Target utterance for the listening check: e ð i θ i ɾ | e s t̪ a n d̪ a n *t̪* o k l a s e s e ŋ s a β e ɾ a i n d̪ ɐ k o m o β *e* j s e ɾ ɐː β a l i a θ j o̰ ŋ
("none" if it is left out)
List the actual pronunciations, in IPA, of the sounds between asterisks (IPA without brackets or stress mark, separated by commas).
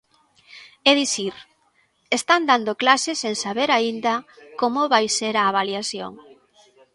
d̪, a